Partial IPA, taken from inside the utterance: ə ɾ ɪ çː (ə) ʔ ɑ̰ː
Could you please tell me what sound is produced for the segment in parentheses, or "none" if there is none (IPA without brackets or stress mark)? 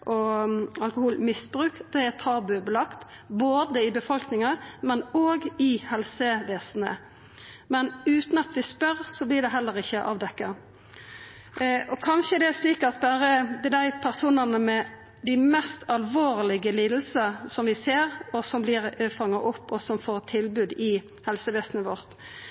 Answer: ə